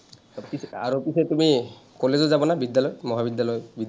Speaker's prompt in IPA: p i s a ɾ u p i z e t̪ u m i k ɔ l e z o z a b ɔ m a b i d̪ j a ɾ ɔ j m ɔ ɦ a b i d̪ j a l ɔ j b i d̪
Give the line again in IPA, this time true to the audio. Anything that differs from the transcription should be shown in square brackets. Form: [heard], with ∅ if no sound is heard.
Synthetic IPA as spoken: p i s a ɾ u p i [s] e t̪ u m i k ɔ l e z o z a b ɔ [n] a b i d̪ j a [l] ɔ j m ɔ ɦ a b i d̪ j a l ɔ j b i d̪